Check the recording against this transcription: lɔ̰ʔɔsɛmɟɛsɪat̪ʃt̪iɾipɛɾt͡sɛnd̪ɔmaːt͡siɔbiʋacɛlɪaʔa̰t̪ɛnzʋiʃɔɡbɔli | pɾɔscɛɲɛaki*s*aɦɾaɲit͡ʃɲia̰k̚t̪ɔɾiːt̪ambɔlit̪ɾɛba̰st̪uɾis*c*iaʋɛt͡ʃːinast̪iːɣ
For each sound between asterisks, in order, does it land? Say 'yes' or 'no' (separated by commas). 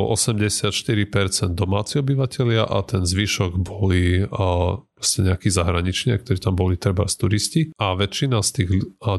no, yes